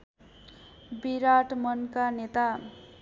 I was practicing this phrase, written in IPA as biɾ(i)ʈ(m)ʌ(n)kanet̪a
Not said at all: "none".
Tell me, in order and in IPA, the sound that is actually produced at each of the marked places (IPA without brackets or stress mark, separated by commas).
a, m, n